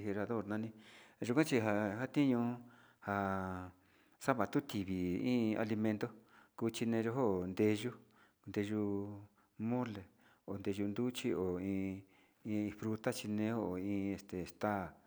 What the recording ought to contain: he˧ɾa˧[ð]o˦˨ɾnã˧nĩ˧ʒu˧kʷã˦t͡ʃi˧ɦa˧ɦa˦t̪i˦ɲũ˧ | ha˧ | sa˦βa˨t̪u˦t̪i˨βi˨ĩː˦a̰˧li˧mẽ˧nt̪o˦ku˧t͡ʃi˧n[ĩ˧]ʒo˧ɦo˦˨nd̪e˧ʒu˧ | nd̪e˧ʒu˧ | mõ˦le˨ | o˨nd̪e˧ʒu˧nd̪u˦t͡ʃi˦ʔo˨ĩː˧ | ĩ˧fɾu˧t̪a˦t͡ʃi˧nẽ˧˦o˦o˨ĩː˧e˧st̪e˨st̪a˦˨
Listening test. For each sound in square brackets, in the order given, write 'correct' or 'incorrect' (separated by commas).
correct, incorrect